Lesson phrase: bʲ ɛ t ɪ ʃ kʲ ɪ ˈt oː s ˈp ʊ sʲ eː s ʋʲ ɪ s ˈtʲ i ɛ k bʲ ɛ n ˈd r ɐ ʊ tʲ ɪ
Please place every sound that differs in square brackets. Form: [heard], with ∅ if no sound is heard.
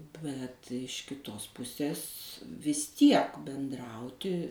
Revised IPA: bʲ ɛ t ɪ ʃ kʲ ɪ ˈt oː s ˈp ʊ sʲ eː s ʋʲ ɪ s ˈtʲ i ɛ k bʲ ɛ n ˈd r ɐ ʊ tʲ ɪ